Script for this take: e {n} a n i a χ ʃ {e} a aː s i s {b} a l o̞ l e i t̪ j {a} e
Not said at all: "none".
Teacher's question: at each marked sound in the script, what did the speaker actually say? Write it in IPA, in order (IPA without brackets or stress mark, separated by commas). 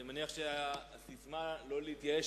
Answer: m, e, m, a